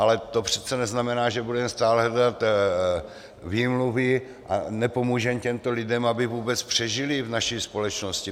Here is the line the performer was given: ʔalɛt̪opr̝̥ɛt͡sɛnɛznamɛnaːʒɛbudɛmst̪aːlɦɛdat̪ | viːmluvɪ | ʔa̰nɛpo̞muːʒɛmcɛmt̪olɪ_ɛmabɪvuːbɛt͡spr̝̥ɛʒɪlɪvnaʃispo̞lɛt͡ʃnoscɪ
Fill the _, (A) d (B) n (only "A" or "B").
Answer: A